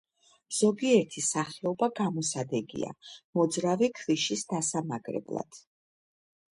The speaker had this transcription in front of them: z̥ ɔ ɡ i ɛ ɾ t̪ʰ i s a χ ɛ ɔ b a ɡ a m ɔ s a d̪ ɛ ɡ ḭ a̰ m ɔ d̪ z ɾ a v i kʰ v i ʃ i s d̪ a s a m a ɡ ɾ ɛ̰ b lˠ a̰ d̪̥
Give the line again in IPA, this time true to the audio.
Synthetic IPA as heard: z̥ ɔ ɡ i ɛ ɾ t̪ʰ i s a χ ɛ ɔ b a ɡ a m ɔ s a d̪ ɛ ɡ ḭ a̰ m ɔ d̪ z ɾ a v i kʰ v i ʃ i s d̪ a s a m a ɡ ɾ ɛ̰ b lˠ a̰ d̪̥